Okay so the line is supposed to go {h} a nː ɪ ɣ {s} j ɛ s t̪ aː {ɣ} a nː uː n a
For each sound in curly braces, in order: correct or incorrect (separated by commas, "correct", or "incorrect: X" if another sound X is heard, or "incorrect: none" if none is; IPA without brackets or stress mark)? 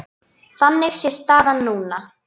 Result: incorrect: θ, correct, incorrect: ð